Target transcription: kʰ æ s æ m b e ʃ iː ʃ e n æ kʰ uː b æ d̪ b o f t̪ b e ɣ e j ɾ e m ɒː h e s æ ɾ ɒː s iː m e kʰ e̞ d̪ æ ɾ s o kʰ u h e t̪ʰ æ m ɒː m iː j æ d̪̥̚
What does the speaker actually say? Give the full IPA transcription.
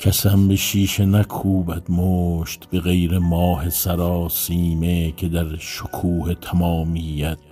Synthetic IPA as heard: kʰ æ s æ m b e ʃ iː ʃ e n æ kʰ uː b æ d̪ m o ʃ t̪ b e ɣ e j ɾ e m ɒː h e s æ ɾ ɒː s iː m e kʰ e̞ d̪ æ ɾ ʃ o kʰ uː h e t̪ʰ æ m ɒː m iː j æ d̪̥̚